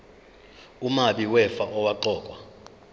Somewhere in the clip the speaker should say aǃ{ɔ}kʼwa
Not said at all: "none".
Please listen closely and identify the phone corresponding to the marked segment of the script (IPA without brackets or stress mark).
ɔː